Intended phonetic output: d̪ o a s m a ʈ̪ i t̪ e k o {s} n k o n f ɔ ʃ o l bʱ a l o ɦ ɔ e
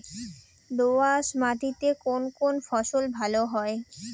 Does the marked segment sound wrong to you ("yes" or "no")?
yes